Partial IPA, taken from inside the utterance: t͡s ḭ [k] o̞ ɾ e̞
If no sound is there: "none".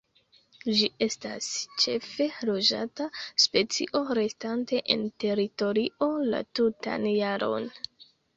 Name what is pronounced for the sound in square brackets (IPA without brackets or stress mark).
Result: ʔ